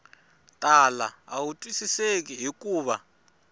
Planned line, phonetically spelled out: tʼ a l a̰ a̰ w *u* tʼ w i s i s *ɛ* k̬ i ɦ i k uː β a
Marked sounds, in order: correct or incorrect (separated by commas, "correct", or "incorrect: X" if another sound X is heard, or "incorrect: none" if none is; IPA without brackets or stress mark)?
correct, incorrect: e